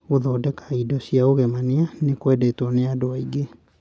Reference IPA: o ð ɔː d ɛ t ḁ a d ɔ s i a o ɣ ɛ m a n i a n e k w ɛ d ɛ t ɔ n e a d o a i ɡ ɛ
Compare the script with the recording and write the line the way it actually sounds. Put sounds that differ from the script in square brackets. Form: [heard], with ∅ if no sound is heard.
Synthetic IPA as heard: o ð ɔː d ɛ [k] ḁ [i] d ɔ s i a o ɣ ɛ m a n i a n e k w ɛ d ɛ t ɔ n e a d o a i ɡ [e]